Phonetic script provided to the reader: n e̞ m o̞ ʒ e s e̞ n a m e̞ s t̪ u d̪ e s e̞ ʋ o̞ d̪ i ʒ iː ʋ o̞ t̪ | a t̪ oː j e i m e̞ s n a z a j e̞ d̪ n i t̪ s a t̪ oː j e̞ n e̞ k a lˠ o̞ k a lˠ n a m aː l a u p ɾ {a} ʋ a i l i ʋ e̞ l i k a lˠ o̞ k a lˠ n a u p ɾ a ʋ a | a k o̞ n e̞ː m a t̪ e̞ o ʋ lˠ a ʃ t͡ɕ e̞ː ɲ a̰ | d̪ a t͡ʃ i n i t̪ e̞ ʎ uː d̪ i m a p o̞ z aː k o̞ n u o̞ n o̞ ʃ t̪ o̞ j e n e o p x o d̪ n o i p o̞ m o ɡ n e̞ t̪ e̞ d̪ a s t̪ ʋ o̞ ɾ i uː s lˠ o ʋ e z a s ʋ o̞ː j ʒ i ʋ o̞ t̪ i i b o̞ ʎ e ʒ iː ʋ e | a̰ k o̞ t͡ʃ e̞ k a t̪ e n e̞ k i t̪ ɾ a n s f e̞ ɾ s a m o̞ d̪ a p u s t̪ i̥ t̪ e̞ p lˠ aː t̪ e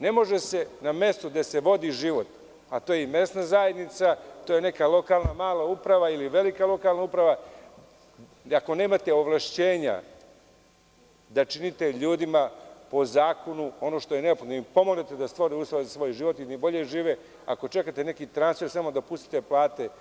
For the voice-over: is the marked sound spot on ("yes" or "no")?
yes